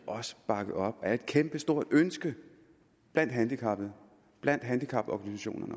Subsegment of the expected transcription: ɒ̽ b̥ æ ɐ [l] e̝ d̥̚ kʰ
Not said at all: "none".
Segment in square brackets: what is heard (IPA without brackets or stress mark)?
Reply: none